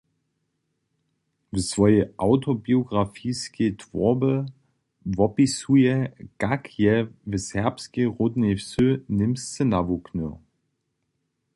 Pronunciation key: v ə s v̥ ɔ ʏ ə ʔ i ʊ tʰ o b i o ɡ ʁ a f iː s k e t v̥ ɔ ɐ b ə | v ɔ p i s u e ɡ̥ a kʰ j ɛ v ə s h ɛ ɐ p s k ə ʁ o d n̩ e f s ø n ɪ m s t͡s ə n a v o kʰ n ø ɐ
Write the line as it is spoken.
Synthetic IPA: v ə s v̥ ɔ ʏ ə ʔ a ʊ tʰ o b i o ɡ ʁ a f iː s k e t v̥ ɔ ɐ b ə | v ɔ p i s u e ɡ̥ a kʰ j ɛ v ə s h ɛ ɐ p s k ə ʁ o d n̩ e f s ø n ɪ m s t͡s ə n a v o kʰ n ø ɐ